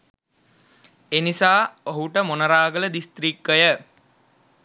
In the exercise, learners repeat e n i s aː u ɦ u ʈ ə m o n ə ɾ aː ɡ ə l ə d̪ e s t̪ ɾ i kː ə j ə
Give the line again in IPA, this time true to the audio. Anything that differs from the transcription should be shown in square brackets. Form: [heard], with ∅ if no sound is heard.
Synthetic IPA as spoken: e n i s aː [o] ɦ u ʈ ə m o n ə ɾ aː ɡ ə l ə d̪ [i] s t̪ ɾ i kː ə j ə